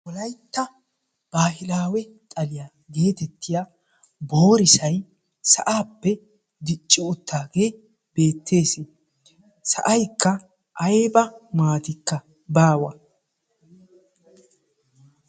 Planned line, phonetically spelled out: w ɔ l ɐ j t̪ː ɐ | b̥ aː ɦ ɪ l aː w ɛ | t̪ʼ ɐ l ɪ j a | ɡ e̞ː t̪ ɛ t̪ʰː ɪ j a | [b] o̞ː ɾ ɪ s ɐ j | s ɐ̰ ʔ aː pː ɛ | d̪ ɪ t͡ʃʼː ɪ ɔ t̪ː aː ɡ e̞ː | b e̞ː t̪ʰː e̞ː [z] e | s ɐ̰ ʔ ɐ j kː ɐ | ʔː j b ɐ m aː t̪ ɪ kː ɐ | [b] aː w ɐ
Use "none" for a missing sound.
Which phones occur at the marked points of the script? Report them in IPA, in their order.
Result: b, s, b

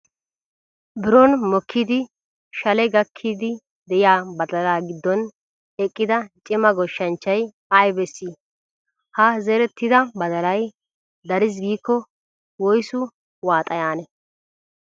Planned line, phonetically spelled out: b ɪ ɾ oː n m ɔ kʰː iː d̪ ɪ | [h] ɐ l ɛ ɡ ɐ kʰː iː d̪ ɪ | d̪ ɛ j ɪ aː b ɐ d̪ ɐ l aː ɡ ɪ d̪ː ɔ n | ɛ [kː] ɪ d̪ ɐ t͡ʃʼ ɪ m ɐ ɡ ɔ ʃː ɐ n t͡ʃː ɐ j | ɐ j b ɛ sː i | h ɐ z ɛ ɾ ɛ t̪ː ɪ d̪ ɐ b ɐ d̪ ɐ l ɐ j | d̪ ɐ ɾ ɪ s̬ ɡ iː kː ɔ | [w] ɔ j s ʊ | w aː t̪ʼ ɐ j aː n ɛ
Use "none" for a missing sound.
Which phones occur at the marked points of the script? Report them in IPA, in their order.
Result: ʃ, kʼː, w

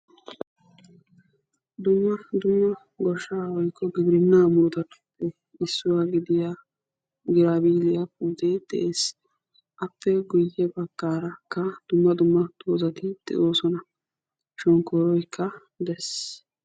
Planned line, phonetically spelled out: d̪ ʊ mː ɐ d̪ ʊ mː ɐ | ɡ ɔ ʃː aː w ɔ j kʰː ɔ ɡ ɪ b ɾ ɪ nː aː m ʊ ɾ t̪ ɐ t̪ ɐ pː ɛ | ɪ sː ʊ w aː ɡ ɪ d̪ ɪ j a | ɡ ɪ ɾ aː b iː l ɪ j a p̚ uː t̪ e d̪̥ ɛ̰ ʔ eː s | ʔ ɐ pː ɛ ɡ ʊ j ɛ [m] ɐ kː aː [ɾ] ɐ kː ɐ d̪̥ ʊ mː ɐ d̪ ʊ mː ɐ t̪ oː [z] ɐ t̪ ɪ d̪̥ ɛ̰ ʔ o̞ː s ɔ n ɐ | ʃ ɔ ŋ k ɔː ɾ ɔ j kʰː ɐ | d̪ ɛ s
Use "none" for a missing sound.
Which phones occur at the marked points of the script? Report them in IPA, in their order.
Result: b, ɾ, z

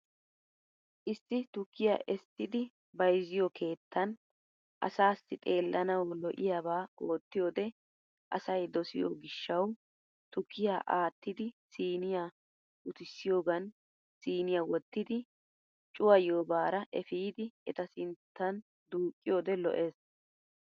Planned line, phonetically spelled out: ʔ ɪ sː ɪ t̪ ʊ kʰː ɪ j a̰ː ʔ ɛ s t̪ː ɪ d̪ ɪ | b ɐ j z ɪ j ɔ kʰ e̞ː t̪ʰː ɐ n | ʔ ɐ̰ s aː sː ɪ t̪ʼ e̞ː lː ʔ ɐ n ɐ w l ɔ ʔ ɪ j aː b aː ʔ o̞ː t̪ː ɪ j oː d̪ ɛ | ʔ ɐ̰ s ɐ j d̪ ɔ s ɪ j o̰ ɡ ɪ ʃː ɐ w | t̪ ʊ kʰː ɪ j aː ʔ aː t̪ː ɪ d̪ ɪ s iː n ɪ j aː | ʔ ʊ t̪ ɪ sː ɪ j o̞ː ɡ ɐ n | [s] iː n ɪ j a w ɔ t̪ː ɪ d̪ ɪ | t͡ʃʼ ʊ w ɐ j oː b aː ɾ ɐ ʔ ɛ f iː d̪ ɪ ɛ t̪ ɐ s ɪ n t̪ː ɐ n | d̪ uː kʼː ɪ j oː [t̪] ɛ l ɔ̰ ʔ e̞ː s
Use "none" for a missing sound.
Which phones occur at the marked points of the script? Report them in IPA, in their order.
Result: s, d̪

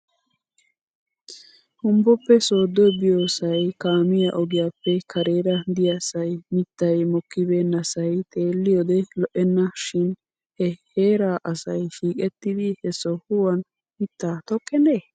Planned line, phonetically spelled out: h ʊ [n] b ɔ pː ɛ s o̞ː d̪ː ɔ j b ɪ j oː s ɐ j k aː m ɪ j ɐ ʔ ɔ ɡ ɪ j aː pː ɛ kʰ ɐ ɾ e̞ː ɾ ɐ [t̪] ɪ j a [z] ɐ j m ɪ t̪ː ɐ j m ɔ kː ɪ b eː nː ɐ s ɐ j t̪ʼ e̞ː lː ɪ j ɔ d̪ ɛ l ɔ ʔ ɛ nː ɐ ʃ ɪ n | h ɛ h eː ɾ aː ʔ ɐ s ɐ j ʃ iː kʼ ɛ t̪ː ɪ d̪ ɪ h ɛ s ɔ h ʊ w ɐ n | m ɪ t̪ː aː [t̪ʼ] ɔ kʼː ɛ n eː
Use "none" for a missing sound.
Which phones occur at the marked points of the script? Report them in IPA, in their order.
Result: m, d̪, s, t̪

